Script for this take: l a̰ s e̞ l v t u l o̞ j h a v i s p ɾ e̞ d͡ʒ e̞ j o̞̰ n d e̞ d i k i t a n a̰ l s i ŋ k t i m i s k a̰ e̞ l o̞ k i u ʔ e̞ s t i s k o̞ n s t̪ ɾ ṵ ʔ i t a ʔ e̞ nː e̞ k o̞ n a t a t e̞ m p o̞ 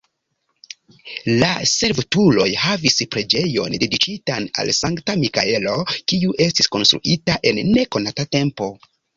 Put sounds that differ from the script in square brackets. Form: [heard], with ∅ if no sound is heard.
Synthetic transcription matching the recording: l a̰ s e̞ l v t u l o̞ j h a v i s p ɾ e̞ d͡ʒ e̞ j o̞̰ n d e̞ d i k i t a n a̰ l s [a] ŋ k t [a] m i [∅] k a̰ e̞ l o̞ k i u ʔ e̞ s t i s k o̞ n s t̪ ɾ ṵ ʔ i t a ʔ e̞ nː e̞ k o̞ n a t a t e̞ m p o̞